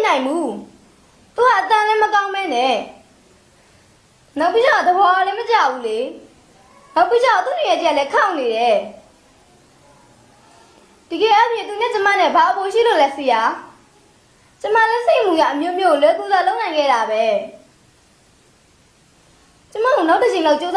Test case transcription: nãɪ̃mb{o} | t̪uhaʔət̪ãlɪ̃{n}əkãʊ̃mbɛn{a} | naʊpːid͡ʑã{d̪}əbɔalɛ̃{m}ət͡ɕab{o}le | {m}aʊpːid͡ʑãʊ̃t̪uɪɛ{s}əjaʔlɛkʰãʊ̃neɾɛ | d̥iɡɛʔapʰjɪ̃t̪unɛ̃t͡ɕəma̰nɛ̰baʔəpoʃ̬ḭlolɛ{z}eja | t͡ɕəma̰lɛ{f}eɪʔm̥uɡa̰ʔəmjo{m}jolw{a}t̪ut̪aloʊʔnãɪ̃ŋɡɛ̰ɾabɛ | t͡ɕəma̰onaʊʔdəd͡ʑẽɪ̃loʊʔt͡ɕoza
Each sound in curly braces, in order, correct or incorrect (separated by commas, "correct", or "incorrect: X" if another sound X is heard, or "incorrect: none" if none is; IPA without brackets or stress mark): incorrect: u, incorrect: m, incorrect: ɛ, correct, correct, incorrect: u, incorrect: n, incorrect: t, incorrect: s, incorrect: s, correct, incorrect: ɛ